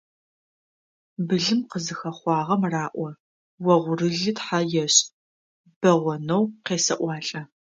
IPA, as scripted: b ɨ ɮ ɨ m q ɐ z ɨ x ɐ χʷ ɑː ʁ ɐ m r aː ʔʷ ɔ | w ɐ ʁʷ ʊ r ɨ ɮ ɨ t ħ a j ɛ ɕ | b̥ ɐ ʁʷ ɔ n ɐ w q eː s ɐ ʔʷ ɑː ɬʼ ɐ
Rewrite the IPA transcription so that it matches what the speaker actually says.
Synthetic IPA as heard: b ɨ ɮ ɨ m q ə z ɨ x ɐ χʷ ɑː ʁ ɐ m r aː ʔʷ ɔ | w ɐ ʁʷ ʊ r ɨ ɮ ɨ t ħ a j ɛ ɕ | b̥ ɐ ʁʷ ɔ n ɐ w q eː s ɐ ʔʷ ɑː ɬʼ ɐ